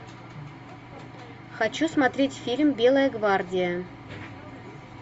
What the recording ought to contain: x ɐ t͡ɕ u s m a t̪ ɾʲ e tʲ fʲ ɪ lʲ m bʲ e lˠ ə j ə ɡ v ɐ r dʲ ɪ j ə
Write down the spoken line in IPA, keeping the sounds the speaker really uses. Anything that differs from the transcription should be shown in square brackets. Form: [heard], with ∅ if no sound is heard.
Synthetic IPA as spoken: x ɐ t͡ɕ u s m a t̪ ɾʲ e tʲ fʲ [i] lʲ m bʲ e lˠ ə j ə ɡ v [a] r dʲ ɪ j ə